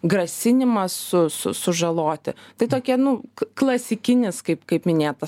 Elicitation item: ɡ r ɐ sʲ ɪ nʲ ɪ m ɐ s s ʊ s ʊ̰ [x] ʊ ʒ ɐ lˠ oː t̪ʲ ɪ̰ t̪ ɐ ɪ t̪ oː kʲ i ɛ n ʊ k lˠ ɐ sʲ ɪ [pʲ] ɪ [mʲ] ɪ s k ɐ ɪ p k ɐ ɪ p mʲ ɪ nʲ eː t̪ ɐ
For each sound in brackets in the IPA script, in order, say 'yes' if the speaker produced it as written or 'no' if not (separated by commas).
no, no, no